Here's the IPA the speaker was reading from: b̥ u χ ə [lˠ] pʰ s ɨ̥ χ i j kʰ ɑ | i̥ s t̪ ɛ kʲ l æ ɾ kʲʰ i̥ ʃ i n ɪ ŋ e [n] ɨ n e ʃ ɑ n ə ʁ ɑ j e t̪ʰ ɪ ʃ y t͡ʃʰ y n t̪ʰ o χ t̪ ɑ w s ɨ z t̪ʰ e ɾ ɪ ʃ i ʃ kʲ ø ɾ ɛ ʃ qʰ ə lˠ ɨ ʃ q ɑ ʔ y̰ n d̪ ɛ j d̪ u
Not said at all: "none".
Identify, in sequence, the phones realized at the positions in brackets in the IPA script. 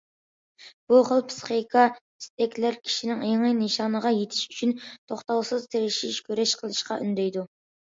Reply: lˠ, ŋ

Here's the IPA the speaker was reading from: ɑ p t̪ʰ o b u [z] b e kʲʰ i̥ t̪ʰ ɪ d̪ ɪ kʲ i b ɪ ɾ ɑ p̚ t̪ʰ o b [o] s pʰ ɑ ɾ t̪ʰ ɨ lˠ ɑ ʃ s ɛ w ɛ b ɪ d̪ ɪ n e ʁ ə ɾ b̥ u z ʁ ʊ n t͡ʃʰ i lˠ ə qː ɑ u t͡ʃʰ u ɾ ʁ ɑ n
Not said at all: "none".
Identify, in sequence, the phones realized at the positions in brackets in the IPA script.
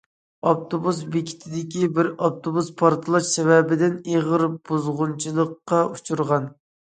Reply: s, u

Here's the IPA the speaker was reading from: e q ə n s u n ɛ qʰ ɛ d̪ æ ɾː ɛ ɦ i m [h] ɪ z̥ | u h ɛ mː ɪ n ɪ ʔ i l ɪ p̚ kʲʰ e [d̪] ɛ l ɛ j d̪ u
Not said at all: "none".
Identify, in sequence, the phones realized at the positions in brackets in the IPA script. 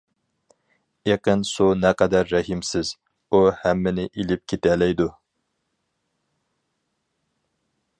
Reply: s, t̪

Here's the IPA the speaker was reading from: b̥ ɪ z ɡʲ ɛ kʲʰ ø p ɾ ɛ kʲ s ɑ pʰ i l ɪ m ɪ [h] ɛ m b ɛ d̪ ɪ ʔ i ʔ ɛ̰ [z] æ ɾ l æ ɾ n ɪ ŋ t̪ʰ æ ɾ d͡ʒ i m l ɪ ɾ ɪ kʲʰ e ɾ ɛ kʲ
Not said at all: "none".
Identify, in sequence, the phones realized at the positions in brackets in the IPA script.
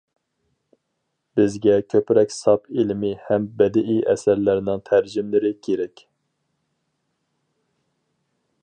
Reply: h, s

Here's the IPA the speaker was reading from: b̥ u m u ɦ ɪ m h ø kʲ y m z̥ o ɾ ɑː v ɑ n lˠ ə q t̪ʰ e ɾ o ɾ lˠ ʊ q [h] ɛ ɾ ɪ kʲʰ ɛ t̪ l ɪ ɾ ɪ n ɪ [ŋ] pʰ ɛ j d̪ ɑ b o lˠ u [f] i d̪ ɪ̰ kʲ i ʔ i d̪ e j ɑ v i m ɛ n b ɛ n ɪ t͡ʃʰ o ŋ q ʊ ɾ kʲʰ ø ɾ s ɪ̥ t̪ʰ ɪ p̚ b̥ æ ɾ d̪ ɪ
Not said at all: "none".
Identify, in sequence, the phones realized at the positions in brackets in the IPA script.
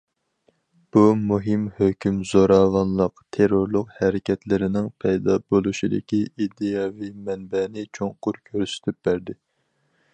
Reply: h, ŋ, ʃ

